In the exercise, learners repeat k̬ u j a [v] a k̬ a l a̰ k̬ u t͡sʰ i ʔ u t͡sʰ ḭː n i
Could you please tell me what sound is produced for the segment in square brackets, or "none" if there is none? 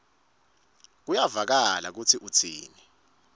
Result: v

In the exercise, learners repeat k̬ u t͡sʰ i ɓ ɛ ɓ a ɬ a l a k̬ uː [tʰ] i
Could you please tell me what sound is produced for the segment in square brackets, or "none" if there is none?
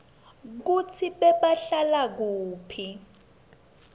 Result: pʰ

